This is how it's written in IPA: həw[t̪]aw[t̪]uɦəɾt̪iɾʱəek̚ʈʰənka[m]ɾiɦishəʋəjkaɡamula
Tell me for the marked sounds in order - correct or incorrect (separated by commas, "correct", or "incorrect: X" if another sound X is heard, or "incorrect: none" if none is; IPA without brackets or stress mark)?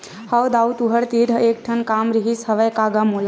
incorrect: d̪, correct, correct